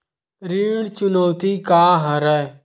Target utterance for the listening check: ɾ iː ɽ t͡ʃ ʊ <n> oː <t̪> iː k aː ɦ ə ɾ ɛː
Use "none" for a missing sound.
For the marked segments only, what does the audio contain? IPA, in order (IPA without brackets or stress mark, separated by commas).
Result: n, t̪